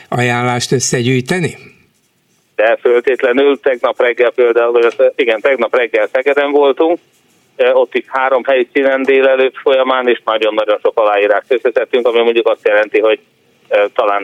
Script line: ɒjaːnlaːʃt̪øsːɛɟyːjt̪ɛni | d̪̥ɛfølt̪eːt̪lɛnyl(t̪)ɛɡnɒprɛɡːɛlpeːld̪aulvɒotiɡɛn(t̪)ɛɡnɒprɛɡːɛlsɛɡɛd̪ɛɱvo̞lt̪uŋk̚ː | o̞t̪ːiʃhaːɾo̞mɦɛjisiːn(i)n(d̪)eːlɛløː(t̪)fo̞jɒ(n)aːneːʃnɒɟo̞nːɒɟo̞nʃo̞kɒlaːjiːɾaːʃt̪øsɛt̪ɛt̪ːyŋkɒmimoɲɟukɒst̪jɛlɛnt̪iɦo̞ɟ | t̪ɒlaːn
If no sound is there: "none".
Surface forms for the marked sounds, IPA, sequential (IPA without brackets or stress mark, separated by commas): t̪, t̪, ɛ, d̪, t̪, m